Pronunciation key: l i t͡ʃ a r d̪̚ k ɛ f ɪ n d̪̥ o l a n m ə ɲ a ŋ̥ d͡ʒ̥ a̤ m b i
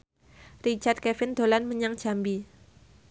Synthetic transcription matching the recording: r i t͡ʃ a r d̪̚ k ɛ f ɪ n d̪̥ o l a n m ə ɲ a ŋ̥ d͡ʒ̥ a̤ m b i